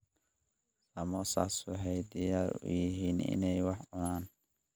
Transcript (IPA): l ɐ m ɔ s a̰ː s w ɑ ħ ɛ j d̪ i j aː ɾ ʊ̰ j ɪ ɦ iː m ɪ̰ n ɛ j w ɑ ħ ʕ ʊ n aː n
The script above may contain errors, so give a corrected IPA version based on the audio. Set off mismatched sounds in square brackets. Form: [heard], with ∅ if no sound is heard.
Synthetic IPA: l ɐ m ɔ s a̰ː s w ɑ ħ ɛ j d̪ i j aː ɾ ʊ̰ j ɪ ɦ iː [n] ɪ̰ n ɛ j w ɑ ħ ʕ ʊ n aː n